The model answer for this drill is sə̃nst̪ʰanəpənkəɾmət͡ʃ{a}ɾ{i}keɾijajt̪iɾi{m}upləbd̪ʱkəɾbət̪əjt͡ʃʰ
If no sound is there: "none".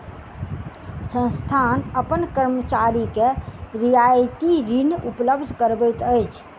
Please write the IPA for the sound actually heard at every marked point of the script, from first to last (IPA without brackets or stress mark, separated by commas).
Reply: a, i, n